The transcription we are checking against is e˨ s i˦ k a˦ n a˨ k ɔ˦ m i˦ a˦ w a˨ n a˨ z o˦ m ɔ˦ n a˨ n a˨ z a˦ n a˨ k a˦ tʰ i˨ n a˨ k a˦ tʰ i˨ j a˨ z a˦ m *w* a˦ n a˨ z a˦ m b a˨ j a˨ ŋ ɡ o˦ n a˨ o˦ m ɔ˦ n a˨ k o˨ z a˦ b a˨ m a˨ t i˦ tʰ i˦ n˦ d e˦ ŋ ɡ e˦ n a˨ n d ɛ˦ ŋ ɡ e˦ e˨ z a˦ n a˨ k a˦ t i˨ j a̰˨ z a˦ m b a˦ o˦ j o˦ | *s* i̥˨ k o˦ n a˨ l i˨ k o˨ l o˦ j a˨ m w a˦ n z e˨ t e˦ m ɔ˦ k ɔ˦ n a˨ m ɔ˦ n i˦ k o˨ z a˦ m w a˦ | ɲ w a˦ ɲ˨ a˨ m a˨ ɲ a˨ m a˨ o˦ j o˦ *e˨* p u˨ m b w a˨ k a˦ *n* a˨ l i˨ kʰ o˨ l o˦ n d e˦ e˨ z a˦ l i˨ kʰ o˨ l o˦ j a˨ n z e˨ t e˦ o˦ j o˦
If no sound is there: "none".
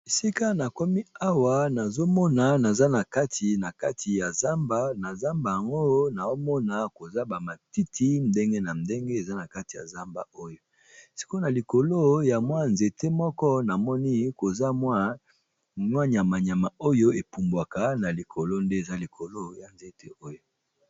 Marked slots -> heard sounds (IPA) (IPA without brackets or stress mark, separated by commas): b, s, e˨, n